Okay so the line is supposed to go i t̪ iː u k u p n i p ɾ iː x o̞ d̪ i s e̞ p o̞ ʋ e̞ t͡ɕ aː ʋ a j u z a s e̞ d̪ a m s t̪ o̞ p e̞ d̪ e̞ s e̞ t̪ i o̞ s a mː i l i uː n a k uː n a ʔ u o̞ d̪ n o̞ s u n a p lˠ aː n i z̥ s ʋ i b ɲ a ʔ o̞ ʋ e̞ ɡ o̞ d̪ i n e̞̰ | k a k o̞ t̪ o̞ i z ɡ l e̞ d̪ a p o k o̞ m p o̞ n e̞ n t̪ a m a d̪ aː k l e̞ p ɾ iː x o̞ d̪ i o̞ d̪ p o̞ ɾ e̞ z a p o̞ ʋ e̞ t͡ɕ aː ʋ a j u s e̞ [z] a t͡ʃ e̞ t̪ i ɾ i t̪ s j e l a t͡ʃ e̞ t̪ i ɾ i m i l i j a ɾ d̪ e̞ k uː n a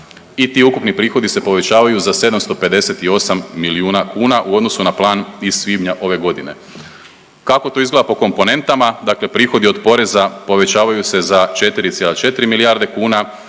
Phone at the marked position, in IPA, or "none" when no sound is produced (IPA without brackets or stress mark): z